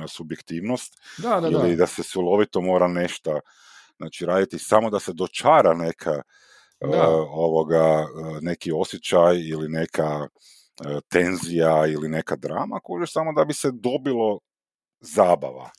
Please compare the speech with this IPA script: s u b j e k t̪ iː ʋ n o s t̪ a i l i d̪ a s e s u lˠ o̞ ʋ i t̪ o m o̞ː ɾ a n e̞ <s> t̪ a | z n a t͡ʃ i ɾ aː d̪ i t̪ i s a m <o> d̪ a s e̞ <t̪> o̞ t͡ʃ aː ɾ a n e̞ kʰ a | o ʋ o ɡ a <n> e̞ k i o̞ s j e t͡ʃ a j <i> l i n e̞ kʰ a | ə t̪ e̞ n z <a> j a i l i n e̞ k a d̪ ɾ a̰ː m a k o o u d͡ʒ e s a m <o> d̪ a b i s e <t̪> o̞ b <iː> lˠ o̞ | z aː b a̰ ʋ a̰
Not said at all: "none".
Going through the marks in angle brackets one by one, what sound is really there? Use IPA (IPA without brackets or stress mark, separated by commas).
ʃ, o, d̪, n, i, i, o, d̪, i